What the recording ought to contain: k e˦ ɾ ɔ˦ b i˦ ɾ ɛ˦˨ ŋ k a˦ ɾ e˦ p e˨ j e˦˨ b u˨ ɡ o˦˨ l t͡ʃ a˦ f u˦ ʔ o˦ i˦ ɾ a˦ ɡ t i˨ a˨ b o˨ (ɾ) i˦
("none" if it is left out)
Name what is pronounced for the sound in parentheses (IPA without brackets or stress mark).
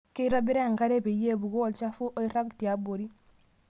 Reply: ɾ